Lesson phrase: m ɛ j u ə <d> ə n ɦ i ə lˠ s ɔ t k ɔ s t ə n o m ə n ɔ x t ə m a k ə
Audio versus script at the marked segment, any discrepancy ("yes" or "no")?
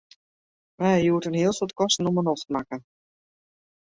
yes